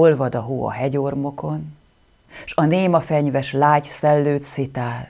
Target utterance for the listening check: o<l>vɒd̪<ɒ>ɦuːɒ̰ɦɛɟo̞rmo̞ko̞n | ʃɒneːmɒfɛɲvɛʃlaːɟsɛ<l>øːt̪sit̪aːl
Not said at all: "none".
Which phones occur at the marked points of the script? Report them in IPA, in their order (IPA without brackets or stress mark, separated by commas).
l, ɒ, lː